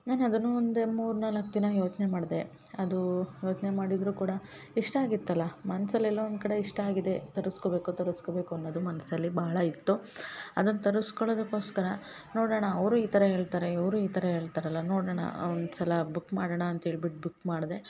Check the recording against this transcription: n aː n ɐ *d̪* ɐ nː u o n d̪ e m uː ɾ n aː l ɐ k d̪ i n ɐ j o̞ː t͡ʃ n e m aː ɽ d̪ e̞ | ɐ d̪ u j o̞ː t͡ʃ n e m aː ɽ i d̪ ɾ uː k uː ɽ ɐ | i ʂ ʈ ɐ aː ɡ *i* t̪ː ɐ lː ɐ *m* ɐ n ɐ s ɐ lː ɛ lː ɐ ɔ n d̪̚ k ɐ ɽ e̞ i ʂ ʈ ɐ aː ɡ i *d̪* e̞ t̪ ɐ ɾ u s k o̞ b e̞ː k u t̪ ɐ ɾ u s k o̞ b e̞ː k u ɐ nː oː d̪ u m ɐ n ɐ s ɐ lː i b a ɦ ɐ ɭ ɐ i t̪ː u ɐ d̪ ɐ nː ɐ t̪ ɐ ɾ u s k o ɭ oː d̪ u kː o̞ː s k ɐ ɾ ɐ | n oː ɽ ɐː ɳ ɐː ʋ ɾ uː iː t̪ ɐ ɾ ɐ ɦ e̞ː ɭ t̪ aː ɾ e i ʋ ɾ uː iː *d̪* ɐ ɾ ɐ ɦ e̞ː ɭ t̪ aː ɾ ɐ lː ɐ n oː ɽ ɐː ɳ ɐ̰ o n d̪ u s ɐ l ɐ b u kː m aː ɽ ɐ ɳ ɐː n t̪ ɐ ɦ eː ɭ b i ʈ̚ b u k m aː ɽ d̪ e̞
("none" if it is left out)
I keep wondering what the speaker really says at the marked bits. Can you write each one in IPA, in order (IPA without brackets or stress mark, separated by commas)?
d̪, i, m, d̪, t̪